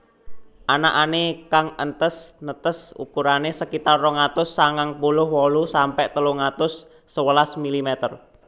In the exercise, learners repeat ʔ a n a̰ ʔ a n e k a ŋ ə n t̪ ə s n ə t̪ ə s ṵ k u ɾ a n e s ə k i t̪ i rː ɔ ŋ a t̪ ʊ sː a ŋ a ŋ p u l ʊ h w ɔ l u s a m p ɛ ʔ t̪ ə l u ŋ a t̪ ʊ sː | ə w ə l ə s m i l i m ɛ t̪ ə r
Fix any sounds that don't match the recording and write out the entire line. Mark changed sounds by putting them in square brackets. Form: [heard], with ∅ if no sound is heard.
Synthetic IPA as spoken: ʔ a n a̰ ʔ a n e k a ŋ ə n t̪ ə s n ə t̪ ə s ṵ k u ɾ a n e s ə k i t̪ [a] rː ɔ ŋ a t̪ ʊ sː a ŋ a ŋ p u l ʊ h w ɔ l u s a m p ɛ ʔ t̪ ə l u ŋ a t̪ ʊ sː | ə w ə l [a] s m i l i m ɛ t̪ ə r